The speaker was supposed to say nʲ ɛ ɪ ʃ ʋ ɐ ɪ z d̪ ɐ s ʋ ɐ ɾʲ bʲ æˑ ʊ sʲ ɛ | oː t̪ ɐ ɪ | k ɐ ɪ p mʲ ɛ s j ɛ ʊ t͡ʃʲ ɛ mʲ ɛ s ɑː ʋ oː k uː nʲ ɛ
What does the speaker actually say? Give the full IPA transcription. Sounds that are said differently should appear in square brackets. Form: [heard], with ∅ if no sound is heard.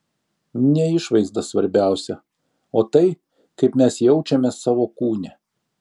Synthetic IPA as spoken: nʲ ɛ ɪ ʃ ʋ ɐ ɪ z d̪ ɐ s ʋ ɐ ɾʲ bʲ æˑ ʊ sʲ ɛ | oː t̪ ɐ ɪ | k ɐ ɪ p mʲ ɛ s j ɛ ʊ t͡ʃʲ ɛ mʲ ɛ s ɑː ʋ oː k uː nʲ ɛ

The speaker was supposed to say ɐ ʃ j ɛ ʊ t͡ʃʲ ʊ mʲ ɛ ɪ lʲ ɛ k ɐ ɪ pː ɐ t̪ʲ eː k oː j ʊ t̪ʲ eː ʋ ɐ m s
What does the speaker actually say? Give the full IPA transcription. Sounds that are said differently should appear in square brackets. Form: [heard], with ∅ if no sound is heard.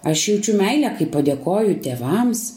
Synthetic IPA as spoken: ɐ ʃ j ɛ ʊ t͡ʃʲ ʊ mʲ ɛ ɪ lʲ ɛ k ɐ ɪ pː ɐ [d̪ʲ] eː k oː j ʊ t̪ʲ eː ʋ ɐ m s

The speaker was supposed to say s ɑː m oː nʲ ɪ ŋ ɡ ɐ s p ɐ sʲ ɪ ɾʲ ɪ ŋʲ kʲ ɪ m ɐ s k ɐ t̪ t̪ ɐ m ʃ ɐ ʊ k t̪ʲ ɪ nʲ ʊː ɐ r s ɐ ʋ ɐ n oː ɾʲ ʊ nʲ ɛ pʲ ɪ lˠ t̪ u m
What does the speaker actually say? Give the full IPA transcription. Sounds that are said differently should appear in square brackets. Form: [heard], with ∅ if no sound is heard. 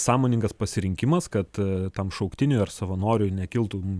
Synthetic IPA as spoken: s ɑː m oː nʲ ɪ ŋ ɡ ɐ s p ɐ sʲ ɪ ɾʲ ɪ ŋʲ kʲ ɪ m ɐ s k ɐ t̪ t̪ ɐ m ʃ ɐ ʊ k t̪ʲ ɪ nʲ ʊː ɐ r s ɐ ʋ ɐ n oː ɾʲ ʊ nʲ ɛ [kʲ] ɪ lˠ t̪ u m

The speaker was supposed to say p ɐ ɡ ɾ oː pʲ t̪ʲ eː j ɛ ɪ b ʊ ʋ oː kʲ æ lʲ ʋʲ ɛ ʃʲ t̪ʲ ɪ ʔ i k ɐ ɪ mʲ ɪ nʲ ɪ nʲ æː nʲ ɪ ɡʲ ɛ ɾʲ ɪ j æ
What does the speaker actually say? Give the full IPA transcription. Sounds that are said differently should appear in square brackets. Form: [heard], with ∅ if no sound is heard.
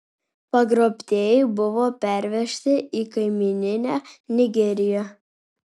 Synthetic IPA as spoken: p ɐ ɡ ɾ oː pʲ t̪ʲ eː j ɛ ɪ b ʊ ʋ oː [pʲ] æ [ɾʲ] ʋʲ ɛ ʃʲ t̪ʲ ɪ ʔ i k ɐ ɪ mʲ ɪ nʲ ɪ nʲ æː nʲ ɪ ɡʲ ɛ ɾʲ ɪ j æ

